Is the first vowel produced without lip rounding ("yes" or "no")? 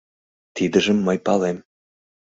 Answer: yes